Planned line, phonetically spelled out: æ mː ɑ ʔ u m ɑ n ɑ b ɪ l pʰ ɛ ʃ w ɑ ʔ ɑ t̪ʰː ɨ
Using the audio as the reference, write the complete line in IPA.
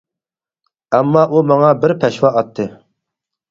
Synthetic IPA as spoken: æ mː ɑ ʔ u m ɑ ŋ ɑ b ɪ ɾ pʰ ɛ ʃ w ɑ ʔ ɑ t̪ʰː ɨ